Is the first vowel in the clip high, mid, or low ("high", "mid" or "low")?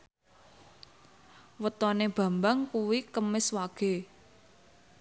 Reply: mid